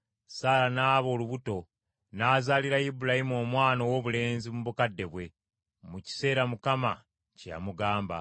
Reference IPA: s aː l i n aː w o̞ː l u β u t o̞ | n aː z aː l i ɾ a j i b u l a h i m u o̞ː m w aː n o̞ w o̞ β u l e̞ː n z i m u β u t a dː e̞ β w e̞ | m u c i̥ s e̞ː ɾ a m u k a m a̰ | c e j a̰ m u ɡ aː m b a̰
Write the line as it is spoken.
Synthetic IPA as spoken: s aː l a n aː β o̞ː l u β u t o̞ | n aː z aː l i ɾ a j i b u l a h i m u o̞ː m w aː n o̞ w o̞ β u l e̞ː n z i m u β u k a dː e̞ β w e̞ | m u c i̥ s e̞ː ɾ a m u k a m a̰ | c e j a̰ m u ɡ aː m b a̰